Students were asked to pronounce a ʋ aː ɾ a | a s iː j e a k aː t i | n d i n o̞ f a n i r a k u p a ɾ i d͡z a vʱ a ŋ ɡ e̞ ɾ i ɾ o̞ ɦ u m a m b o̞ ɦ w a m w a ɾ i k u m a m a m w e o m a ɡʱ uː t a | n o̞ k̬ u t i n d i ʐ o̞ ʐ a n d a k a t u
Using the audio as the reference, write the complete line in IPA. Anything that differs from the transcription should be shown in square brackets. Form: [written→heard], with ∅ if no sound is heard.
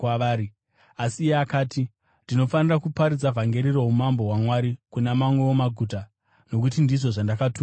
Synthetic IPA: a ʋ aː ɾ [a→i] | a s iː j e a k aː t i | n d i n o̞ f a n i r a k u p a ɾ i d͡z a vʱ a ŋ ɡ e̞ ɾ i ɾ o̞ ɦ u m a m b o̞ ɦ w a m w a ɾ i k u [m→n] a m a m w e o m a ɡʱ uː t a | n o̞ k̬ u t i n d i ʐ o̞ ʐ a n d a k a t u